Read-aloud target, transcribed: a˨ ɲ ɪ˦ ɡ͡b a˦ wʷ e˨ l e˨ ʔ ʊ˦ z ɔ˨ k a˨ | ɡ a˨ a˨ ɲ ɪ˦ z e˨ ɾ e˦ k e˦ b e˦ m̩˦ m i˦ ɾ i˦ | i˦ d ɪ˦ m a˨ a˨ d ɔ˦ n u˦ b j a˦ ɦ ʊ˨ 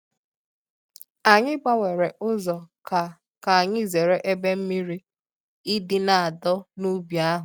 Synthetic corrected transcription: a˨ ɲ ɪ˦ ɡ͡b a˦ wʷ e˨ ɾ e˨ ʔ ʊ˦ z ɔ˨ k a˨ | k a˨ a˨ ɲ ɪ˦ z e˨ ɾ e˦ ʔ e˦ b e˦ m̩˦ m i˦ ɾ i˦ | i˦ d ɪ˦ n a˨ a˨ d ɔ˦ n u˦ b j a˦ ɦ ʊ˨